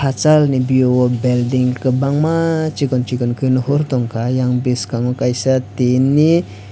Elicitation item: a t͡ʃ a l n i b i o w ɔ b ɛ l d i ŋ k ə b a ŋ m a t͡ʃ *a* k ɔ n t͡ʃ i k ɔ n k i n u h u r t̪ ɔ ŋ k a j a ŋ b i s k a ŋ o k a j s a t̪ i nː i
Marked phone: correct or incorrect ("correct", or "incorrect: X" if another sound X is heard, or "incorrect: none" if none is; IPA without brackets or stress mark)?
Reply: incorrect: i